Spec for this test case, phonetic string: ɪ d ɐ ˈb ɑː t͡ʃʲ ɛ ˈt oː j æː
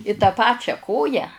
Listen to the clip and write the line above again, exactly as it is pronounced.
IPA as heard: ɪ t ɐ ˈp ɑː t͡ʃʲ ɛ ˈk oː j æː

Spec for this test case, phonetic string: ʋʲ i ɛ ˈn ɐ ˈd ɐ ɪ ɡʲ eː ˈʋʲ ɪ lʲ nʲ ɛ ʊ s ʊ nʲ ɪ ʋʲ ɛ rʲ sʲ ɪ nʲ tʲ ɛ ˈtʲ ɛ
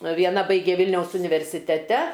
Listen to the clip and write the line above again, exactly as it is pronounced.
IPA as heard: ʋʲ i ɛ ˈn ɐ ˈb ɐ ɪ ɡʲ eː ˈʋʲ ɪ lʲ nʲ ɛ ʊ s ʊ nʲ ɪ ʋʲ ɛ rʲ sʲ ɪ tʲ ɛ ˈtʲ ɛ

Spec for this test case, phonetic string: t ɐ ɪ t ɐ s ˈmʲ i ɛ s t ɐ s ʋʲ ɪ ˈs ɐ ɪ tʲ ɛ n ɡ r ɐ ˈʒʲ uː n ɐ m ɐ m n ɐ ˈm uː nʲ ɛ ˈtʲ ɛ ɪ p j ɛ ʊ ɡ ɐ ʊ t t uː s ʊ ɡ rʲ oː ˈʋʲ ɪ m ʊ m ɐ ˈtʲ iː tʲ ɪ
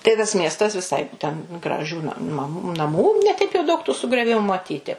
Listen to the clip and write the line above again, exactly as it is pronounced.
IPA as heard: t ɐ ɪ t ɐ s ˈmʲ i ɛ s t ɐ s ʋʲ ɪ ˈs ɐ ɪ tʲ ɛ n ɡ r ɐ ˈʒʲ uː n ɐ m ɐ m n ɐ ˈm uː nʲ ɛ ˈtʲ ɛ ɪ p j ɛ ʊ d ɐ ʊ k t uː s ʊ ɡ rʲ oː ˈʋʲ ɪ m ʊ m ɐ ˈtʲ iː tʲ ɪ

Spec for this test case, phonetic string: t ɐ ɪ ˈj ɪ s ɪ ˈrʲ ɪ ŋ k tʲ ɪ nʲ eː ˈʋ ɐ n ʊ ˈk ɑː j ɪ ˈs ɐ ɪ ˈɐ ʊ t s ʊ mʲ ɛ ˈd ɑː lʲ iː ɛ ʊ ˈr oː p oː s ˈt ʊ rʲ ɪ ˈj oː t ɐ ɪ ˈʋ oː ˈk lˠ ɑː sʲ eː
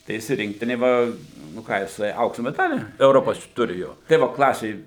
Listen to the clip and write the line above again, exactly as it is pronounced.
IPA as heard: t ɐ ɪ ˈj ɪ s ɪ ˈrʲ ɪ ŋ k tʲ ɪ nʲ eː ˈʋ ɐ n ʊ ˈk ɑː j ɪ ˈs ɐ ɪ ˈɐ ʊ k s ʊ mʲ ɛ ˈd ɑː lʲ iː ɛ ʊ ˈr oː p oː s ˈt ʊ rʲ ɪ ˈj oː t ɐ ɪ ˈʋ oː ˈk lˠ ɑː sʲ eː

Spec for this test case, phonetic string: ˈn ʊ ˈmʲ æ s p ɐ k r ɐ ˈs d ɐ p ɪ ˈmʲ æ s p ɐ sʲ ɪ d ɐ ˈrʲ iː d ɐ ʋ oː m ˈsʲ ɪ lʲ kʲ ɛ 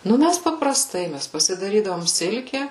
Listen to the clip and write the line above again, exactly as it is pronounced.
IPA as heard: ˈn ʊ ˈmʲ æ s p ɐ p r ɐ ˈs t ɐ ɪ ˈmʲ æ s p ɐ sʲ ɪ d ɐ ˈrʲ iː d ɐ ʋ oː m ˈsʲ ɪ lʲ kʲ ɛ

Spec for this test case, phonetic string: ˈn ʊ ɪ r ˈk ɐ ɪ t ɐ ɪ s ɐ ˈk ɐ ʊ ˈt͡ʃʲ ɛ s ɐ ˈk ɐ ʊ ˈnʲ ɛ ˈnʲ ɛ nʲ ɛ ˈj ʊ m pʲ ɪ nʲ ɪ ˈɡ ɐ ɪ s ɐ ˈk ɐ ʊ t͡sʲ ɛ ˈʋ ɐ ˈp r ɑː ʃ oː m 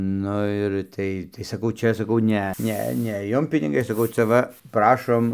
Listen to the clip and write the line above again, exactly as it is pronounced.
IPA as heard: ˈn ʊ ɪ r ˈt ɐ ɪ t ɐ ɪ s ɐ ˈk ɐ ʊ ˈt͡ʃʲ ɛ s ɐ ˈk ɐ ʊ ˈnʲ ɛ ˈnʲ ɛ nʲ ɛ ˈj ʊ m pʲ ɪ nʲ ɪ ˈɡ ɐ ɪ s ɐ ˈk ɐ ʊ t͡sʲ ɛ ˈʋ ɐ ˈp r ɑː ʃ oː m

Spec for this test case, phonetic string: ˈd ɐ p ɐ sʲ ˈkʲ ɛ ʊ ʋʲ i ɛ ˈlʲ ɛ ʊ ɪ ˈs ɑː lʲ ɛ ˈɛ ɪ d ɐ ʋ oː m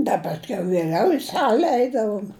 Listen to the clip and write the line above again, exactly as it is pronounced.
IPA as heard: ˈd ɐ p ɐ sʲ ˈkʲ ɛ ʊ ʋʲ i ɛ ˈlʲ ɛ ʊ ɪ ˈs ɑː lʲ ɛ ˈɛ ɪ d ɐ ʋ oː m

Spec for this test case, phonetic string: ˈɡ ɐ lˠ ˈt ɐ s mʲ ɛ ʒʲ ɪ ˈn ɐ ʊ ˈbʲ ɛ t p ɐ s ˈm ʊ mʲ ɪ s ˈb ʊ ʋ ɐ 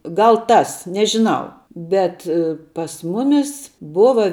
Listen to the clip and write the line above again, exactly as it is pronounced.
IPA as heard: ˈɡ ɐ lˠ ˈt ɐ s nʲ ɛ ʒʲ ɪ ˈn ɐ ʊ ˈbʲ ɛ t p ɐ s ˈm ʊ mʲ ɪ s ˈb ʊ ʋ ɐ

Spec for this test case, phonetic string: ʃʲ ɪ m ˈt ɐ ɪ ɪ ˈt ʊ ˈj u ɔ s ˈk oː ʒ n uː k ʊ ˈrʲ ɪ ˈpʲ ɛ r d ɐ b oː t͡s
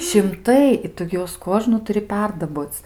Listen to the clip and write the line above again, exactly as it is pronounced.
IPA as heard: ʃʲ ɪ m ˈt ɐ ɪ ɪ ˈt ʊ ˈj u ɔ s ˈk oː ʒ n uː t ʊ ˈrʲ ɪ ˈpʲ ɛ r d ɐ b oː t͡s

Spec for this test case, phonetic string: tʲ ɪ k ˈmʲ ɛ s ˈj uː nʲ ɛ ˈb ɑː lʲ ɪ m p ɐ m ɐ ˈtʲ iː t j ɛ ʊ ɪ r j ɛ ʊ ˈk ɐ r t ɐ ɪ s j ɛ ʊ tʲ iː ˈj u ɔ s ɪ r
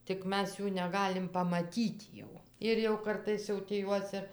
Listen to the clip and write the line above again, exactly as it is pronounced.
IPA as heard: tʲ ɪ k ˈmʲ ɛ s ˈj uː nʲ ɛ ˈɡ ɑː lʲ ɪ m p ɐ m ɐ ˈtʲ iː t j ɛ ʊ ɪ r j ɛ ʊ ˈk ɐ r t ɐ ɪ s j ɛ ʊ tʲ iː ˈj u ɔ s ɪ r

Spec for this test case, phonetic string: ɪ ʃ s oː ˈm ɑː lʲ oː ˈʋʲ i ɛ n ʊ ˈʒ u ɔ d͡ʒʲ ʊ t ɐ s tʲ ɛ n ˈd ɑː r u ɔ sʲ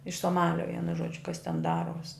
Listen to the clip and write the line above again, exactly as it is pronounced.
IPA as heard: ɪ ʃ s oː ˈm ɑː lʲ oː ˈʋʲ i ɛ n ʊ ˈʒ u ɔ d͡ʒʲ ʊ k ɐ s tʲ ɛ n ˈd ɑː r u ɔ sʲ

